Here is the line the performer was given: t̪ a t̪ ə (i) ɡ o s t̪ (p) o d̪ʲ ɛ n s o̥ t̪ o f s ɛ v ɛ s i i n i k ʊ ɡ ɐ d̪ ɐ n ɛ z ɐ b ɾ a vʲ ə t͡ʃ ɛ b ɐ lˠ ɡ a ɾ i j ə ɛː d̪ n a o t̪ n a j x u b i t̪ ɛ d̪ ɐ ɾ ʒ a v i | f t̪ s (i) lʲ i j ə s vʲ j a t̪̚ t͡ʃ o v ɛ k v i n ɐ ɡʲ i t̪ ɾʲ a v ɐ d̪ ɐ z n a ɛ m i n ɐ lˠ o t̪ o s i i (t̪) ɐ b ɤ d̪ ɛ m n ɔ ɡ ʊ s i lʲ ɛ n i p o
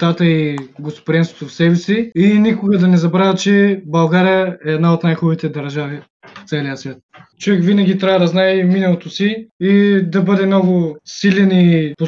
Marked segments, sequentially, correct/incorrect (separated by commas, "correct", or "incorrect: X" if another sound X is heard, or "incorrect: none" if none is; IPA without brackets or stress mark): correct, correct, incorrect: ɛ, incorrect: d̪